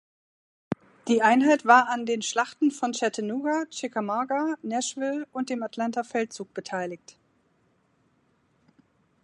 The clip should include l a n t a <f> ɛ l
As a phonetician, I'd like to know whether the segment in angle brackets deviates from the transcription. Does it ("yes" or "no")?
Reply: no